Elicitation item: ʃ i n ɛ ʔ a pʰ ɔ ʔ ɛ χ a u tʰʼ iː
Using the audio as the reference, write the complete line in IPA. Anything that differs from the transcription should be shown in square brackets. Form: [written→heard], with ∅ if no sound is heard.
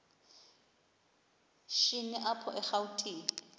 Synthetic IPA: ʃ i n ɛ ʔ a pʰ ɔ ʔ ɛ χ a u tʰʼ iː